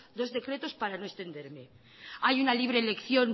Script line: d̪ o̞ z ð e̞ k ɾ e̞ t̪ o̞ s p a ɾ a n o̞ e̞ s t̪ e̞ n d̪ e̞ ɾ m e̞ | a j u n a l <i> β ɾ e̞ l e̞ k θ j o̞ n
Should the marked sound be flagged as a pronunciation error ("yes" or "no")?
no